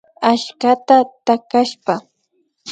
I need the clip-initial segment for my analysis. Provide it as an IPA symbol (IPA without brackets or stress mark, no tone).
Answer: a